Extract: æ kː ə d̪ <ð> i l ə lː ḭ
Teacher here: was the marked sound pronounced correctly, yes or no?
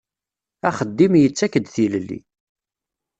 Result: no